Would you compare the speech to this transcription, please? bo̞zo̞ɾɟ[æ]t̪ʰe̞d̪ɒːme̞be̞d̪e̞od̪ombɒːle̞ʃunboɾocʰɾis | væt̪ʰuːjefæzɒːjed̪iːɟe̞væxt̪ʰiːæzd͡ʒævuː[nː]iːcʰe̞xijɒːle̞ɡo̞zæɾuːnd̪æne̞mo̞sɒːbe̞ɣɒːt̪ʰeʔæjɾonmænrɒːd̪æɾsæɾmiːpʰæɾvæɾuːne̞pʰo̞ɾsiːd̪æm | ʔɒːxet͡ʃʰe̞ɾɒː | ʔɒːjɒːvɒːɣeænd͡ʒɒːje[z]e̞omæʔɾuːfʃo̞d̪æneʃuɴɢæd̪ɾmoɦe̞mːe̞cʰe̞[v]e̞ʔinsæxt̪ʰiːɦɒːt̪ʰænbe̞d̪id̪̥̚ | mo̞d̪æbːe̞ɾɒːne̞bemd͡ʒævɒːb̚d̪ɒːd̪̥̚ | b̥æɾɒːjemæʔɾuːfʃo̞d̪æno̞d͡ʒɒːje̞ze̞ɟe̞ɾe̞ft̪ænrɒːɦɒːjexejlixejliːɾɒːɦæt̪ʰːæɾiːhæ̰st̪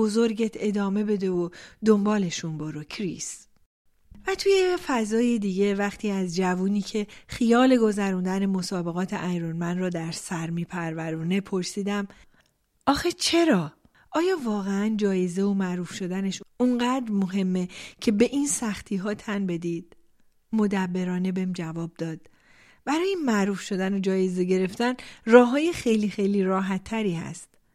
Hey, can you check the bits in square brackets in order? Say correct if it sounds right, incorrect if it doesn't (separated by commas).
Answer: incorrect, incorrect, correct, incorrect